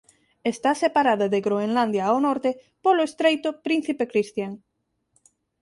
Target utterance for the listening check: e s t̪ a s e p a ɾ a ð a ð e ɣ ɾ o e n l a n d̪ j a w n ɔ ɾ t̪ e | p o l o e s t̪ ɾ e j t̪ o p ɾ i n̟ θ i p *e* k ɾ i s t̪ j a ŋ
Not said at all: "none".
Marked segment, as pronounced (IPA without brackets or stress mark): e